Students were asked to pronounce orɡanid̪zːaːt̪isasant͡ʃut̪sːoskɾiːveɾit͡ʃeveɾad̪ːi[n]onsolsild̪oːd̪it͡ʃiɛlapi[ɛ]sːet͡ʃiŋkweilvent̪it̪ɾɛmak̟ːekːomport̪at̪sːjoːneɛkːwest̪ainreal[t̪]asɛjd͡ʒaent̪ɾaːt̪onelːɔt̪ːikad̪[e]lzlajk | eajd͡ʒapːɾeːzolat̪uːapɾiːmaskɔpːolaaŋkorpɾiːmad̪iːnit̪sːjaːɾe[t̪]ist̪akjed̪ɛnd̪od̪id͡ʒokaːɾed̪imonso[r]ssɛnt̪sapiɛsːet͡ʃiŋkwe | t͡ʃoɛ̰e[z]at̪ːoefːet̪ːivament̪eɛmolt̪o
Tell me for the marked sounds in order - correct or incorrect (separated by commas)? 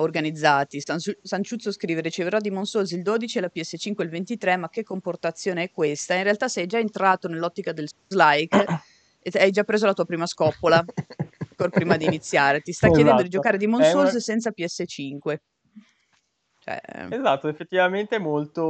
incorrect, correct, correct, correct, correct, incorrect, correct